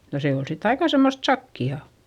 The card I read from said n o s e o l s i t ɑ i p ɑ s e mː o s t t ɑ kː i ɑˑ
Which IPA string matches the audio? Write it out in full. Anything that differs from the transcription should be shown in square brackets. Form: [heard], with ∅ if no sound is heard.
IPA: n o s e o l s i t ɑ i [k] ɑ s e mː o s t [s] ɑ kː i ɑˑ

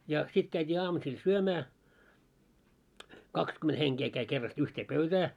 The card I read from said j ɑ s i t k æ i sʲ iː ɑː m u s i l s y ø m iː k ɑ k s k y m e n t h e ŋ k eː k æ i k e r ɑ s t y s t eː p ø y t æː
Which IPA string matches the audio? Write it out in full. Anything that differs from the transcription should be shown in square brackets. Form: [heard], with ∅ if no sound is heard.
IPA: j ɑ s i t k æ i [tʲ] iː ɑː m u s i l s y ø m [æː] k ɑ k s k y m e n t h e ŋ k eː k æ i k e [rː] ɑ s t y [h] t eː p ø y t æː

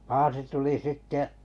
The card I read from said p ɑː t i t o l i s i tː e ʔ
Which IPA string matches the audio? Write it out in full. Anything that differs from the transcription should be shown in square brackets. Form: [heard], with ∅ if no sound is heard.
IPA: p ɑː [s] i t [u] l i s i tː e ʔ

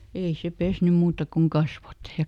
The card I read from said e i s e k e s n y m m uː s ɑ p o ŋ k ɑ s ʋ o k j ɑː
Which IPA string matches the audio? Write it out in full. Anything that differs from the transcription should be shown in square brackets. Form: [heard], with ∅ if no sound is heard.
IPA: e i s e [p] e s n y m m uː [t] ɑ [k] o ŋ k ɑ s ʋ o [t] j [ɑ]

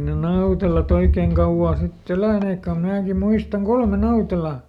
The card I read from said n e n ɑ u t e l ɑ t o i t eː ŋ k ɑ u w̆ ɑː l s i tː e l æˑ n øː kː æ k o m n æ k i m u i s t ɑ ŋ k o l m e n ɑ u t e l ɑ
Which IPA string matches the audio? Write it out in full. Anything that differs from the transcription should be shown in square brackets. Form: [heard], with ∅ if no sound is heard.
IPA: n e n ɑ u t e l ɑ t o i [k] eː ŋ k ɑ u w̆ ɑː [∅] s i tː e l æˑ n [eː] kː æ k o m n [æː] k i m u i s t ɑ ŋ k o l m e n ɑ u t e l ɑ

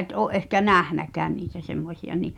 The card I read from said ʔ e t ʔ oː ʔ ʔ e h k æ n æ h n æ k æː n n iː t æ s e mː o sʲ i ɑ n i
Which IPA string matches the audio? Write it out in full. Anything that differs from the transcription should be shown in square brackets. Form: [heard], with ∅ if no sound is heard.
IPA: ʔ e t ʔ oː ʔ ʔ e h k æ n æ h n æ k æː n n iː t æ s e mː o sʲ i ɑ n i

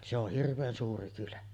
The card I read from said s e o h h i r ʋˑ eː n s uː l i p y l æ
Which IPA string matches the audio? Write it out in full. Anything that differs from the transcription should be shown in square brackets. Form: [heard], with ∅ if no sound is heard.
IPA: s e o h h i r ʋˑ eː n s uː [r] i [k] y l æ

